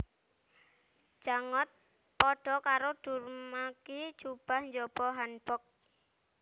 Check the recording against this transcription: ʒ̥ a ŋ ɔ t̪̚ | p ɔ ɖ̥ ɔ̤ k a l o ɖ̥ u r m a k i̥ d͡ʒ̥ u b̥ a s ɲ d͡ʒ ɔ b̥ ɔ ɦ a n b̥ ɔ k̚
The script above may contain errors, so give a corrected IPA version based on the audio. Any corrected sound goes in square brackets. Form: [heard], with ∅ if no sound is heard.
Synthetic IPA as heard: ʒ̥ a ŋ ɔ t̪̚ | p ɔ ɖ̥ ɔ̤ k a [ɾ] o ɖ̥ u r m a k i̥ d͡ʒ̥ u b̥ a [h] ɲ d͡ʒ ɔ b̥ ɔ ɦ a n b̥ ɔ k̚